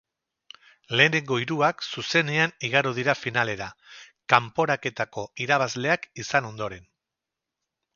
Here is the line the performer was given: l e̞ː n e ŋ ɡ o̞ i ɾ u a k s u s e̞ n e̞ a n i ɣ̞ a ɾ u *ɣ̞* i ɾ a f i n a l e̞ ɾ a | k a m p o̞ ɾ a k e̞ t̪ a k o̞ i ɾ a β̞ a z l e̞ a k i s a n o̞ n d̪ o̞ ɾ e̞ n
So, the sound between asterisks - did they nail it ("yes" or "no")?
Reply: no